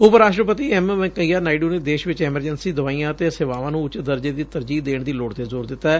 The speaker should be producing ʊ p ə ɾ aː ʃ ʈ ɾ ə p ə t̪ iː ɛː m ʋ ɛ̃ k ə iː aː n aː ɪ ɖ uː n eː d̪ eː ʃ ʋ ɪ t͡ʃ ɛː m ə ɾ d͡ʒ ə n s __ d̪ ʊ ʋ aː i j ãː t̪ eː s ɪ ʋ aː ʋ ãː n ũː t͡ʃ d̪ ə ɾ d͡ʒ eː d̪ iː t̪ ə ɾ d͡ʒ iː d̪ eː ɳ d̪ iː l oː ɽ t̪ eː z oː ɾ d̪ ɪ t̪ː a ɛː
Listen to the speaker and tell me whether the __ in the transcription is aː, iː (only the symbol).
iː